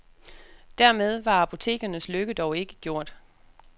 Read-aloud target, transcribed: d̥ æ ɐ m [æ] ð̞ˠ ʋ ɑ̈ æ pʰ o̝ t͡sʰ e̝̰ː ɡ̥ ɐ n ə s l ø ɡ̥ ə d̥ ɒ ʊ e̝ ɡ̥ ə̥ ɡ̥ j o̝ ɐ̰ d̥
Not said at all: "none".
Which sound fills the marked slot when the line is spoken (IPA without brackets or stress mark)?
e